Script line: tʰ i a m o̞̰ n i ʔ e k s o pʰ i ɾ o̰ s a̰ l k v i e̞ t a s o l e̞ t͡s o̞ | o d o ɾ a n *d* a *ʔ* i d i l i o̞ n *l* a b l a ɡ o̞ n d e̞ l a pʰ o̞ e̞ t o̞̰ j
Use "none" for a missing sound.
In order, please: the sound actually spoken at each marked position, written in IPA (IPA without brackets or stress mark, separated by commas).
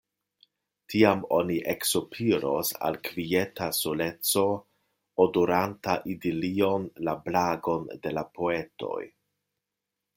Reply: t, ʔ, l